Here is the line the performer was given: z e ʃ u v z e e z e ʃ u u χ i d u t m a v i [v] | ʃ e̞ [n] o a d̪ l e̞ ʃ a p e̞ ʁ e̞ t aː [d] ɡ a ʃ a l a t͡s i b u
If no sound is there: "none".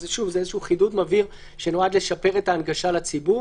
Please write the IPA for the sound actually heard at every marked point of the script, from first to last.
ʁ, n, n

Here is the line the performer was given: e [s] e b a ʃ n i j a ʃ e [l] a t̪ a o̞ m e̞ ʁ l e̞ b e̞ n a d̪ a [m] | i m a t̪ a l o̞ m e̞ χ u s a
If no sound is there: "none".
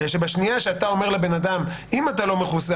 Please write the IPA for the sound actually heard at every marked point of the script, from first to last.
ʃ, none, m

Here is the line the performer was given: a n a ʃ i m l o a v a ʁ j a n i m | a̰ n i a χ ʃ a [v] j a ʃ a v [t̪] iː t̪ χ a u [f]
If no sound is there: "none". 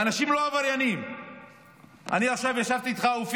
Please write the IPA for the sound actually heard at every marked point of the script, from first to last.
v, t̪, f

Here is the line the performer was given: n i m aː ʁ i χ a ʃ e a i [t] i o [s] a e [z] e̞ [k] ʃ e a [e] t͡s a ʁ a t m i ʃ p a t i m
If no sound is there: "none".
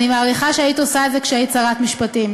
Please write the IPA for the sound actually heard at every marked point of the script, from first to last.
t, s, z, k, i

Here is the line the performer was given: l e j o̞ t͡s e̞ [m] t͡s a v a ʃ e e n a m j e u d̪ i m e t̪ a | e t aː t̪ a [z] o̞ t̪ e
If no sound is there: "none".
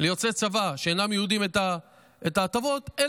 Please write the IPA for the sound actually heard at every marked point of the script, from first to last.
none, v

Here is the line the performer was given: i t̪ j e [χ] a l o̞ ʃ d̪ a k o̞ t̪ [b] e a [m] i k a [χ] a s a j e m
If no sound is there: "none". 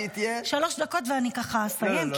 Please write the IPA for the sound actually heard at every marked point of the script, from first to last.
ʃ, v, n, χ

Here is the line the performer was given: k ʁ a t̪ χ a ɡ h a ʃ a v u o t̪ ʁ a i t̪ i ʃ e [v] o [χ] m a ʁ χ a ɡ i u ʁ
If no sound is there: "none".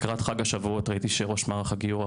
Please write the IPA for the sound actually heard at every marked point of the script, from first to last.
ʁ, ʃ

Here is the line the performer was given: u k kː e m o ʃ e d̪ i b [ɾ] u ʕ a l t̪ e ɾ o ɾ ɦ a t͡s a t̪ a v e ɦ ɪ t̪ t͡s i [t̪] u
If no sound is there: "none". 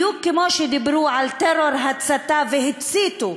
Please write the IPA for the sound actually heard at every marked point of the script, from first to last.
ɾ, t̪

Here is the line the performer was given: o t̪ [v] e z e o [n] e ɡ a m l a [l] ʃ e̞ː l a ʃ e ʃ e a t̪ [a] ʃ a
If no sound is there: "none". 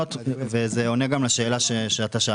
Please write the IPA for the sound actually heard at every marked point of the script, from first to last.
v, n, none, a

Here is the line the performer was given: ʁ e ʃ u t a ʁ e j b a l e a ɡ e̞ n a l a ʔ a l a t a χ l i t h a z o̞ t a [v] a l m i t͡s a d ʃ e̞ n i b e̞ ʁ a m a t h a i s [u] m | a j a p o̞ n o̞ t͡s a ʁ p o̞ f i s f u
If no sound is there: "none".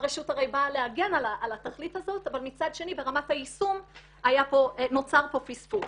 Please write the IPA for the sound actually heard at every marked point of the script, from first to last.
v, u

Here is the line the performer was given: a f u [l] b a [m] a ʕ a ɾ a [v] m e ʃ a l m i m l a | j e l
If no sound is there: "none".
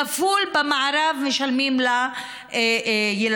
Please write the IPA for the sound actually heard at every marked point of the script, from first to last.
l, m, v

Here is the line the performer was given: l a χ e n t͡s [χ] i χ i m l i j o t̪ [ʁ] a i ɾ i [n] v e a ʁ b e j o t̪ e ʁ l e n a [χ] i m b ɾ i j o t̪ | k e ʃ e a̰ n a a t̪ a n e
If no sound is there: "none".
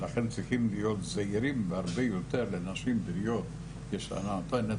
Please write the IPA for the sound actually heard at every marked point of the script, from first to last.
ʁ, z, m, ʃ

